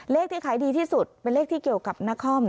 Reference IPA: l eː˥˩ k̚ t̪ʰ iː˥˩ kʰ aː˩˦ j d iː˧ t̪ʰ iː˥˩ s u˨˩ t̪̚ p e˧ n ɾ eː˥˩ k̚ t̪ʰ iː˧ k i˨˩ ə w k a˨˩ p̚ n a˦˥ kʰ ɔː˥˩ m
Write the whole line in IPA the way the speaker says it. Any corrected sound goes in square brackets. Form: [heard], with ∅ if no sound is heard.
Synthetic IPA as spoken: l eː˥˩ k̚ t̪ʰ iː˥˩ kʰ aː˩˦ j d iː˧ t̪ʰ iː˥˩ s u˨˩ t̪̚ p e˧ n [l] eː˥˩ k̚ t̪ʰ [iː˥˩] k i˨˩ ə w k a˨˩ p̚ n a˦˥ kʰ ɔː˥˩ m